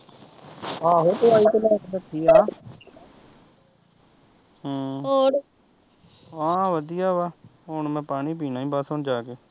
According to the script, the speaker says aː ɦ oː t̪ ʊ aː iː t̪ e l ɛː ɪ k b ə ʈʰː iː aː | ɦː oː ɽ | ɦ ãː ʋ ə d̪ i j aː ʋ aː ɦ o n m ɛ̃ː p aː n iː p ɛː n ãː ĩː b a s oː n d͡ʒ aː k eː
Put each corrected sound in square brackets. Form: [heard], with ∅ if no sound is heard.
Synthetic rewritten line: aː ɦ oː t̪ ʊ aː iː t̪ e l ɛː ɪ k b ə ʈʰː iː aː | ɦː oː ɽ | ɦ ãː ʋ ə d̪ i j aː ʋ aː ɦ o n m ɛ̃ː p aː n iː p [iː] n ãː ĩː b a s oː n d͡ʒ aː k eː

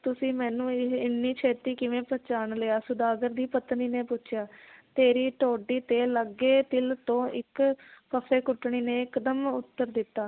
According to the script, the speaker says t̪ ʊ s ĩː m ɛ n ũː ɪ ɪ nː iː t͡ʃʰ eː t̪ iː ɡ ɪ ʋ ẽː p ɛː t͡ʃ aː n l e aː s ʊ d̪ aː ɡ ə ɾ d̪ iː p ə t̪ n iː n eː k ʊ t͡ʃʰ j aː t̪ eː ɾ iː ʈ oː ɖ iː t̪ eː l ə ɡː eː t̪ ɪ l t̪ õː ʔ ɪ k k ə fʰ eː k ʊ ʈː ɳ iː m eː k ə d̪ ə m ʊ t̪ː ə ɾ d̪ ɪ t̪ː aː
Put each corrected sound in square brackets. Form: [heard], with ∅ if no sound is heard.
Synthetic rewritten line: t̪ ʊ s ĩː m [ɛː] n ũː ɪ ɪ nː iː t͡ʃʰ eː t̪ iː [k] ɪ ʋ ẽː p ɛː t͡ʃ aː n l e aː s ʊ d̪ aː ɡ ə ɾ d̪ iː p ə t̪ n iː n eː [p] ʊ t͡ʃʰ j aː t̪ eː ɾ iː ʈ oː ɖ iː t̪ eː l ə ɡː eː t̪ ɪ l t̪ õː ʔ ɪ k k ə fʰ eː k ʊ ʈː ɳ iː [n] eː k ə d̪ ə m ʊ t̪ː ə ɾ d̪ ɪ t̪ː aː

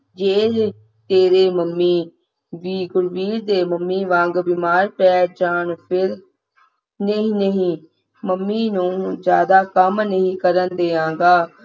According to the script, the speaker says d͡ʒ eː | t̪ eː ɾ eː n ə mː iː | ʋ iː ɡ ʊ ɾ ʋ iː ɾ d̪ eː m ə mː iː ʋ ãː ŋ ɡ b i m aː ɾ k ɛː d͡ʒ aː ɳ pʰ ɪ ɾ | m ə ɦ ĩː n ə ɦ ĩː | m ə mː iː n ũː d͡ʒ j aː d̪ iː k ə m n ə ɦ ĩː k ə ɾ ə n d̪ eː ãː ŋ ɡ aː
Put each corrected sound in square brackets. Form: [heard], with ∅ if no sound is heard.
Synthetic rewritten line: d͡ʒ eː | t̪ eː ɾ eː [m] ə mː iː | ʋ iː ɡ ʊ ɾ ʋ iː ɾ d̪ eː m ə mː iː ʋ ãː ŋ ɡ b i m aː ɾ [p] ɛː d͡ʒ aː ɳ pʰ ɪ ɾ | [n] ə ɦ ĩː n ə ɦ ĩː | m ə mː iː n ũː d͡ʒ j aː d̪ [aː] k ə m n ə ɦ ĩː k ə ɾ ə n d̪ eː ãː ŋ ɡ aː

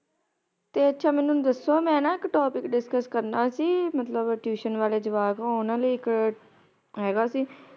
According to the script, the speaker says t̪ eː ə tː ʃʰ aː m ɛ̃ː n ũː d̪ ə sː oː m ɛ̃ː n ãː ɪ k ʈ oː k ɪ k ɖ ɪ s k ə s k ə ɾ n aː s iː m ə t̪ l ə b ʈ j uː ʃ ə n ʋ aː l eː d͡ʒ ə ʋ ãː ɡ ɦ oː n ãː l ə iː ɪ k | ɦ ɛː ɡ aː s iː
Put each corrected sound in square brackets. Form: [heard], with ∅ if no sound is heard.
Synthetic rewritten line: t̪ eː ə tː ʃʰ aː m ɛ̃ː n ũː d̪ ə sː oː m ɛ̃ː n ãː ɪ k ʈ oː [p] ɪ k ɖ ɪ s k ə s k ə ɾ n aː s iː m ə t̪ l ə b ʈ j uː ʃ ə n ʋ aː l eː d͡ʒ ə ʋ [aː] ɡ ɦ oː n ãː l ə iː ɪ k | ɦ ɛː ɡ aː s iː

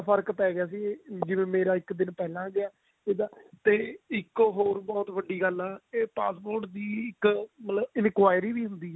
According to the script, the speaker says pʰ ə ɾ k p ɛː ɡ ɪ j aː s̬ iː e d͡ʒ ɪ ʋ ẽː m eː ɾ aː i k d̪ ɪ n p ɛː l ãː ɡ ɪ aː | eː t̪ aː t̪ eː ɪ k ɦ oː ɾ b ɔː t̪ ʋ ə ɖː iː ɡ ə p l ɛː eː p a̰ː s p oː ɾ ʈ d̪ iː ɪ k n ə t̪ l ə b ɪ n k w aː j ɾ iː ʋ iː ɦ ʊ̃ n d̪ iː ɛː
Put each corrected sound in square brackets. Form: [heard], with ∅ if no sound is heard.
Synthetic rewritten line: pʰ ə ɾ k p ɛː ɡ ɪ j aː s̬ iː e d͡ʒ ɪ ʋ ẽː m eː ɾ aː [ɪ] k d̪ ɪ n p ɛː l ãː ɡ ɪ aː | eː [d̪] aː t̪ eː ɪ k ɦ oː ɾ b ɔː t̪ ʋ ə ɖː iː ɡ ə [∅] l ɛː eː p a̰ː s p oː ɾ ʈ d̪ iː ɪ k [m] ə t̪ l ə b ɪ n k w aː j ɾ iː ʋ iː ɦ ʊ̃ n d̪ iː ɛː

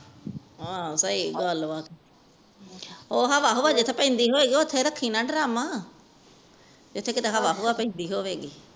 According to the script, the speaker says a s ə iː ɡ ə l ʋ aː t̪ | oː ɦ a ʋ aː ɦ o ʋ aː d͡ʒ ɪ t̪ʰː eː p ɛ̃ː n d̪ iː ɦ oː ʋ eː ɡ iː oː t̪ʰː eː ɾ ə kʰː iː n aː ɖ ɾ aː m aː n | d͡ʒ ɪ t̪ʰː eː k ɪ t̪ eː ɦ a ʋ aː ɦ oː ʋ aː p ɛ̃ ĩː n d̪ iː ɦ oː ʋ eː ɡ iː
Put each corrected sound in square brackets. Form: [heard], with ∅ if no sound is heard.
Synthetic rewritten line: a s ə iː ɡ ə l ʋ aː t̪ | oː ɦ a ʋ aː ɦ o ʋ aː d͡ʒ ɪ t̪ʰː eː p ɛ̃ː n d̪ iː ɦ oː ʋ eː ɡ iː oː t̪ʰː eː ɾ ə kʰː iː n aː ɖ ɾ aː m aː [∅] | d͡ʒ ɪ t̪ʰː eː k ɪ t̪ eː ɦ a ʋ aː ɦ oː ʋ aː p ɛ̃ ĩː n d̪ iː ɦ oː ʋ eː ɡ iː

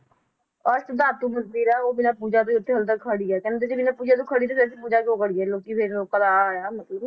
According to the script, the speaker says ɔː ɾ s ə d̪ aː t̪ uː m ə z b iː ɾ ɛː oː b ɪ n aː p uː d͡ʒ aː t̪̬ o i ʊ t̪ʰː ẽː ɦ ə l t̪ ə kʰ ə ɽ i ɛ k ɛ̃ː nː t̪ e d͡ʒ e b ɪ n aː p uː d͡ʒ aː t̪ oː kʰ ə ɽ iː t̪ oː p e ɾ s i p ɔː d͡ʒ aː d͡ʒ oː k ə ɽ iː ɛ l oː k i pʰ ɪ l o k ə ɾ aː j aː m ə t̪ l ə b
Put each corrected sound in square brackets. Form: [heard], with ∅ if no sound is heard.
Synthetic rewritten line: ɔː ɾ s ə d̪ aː t̪ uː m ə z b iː ɾ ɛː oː b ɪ n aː p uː d͡ʒ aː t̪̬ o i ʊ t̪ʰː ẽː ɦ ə l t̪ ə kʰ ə ɽ i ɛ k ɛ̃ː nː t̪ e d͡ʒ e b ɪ n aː p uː d͡ʒ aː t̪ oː kʰ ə ɽ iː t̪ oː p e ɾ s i p [uː] d͡ʒ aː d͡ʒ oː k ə ɽ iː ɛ l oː k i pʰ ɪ [ɾ] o k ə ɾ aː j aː m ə t̪ l ə b

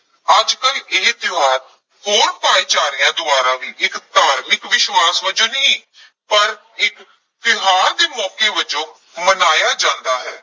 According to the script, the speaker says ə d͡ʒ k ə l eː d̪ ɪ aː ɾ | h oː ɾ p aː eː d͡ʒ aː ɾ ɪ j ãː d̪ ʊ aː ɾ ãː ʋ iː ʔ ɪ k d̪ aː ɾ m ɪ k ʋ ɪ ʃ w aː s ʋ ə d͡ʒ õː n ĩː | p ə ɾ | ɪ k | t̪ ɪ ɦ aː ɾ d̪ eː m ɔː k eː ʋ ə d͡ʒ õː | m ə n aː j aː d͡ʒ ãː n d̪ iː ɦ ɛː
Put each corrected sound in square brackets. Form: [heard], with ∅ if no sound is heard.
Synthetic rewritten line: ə d͡ʒ k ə l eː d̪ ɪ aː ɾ | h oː ɾ p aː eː d͡ʒ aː ɾ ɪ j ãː d̪ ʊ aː ɾ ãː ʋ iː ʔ ɪ k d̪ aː ɾ m ɪ k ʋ ɪ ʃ w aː s ʋ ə d͡ʒ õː n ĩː | p ə ɾ | ɪ k | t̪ ɪ ɦ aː ɾ d̪ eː m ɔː k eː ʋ ə d͡ʒ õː | m ə n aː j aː d͡ʒ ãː n d̪ [aː] ɦ ɛː

